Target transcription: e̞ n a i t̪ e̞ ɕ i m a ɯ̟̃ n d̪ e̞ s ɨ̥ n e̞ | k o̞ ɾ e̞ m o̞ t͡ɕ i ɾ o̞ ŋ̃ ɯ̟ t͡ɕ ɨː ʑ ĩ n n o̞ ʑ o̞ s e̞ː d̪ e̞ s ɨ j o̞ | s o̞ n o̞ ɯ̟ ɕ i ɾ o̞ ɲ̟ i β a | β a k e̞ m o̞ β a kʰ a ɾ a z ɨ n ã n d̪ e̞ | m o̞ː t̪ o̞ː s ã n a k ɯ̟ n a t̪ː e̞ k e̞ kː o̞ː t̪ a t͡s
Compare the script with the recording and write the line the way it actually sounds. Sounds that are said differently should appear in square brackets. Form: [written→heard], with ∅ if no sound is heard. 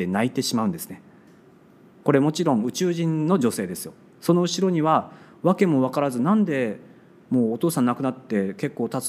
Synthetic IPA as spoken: e̞ n a i t̪ e̞ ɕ i m a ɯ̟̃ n d̪ e̞ s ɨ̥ n e̞ | k o̞ ɾ e̞ m o̞ t͡ɕ i ɾ [o̞→õ̞] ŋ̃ ɯ̟ t͡ɕ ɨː ʑ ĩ n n o̞ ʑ o̞ s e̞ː d̪ e̞ s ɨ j o̞ | s o̞ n o̞ ɯ̟ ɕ i ɾ o̞ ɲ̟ i β a | β a k e̞ m o̞ β a [kʰ→k] a ɾ a z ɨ n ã n d̪ e̞ | m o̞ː t̪ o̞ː s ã n a k ɯ̟ n a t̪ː e̞ k e̞ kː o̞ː t̪ a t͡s